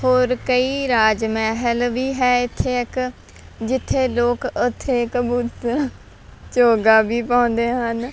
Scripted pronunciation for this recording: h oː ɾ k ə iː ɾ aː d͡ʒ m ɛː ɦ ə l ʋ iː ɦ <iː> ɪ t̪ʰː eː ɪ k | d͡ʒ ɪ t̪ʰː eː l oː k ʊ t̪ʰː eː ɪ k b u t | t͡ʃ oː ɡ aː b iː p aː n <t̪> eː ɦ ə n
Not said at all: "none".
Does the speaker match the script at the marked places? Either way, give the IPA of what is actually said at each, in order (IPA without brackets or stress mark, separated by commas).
ɛː, d̪